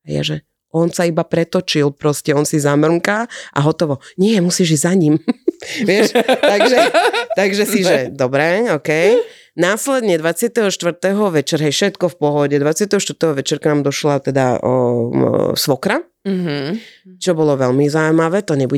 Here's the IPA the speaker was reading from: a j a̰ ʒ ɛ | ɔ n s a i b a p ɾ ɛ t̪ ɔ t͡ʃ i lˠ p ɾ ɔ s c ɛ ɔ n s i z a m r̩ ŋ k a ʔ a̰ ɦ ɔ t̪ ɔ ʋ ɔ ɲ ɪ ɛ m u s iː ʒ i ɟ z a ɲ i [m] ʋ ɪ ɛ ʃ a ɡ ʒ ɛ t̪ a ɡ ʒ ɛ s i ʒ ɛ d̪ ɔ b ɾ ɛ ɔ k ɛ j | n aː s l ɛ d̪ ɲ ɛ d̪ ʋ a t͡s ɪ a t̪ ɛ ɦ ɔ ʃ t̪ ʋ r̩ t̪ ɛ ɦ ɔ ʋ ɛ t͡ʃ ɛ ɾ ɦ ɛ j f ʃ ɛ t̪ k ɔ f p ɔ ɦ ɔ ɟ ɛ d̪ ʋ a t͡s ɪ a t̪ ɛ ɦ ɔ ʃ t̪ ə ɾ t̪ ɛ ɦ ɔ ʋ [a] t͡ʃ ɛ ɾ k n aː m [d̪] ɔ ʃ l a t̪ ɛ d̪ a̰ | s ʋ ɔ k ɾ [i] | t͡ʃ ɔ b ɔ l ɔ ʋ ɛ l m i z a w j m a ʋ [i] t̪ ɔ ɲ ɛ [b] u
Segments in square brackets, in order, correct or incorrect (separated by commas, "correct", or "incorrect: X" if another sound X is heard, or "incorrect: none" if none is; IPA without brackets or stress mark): correct, incorrect: ɛ, correct, incorrect: a, incorrect: ɛ, correct